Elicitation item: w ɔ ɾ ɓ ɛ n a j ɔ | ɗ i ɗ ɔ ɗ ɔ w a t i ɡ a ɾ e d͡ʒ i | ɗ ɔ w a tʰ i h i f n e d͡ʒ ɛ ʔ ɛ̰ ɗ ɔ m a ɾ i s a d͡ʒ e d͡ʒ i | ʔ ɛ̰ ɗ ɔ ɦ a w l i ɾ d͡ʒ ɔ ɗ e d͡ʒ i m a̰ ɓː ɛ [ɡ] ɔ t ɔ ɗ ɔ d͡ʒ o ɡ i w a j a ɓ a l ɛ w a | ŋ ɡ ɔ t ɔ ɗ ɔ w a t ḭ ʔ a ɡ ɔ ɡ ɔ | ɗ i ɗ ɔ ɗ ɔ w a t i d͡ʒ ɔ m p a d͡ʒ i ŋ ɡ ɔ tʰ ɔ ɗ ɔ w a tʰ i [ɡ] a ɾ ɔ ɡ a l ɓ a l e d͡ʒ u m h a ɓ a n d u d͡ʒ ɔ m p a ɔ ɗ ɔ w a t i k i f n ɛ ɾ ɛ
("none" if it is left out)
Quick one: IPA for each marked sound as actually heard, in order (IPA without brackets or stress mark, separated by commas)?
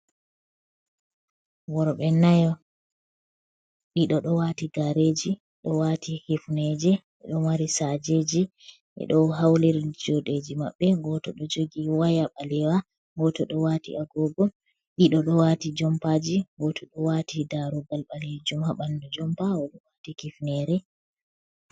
ɡ, d